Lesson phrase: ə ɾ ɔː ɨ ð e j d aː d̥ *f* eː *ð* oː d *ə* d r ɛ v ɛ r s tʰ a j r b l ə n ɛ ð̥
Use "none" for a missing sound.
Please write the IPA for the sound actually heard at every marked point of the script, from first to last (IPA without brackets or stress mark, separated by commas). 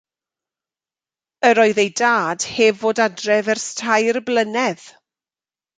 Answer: h, v, a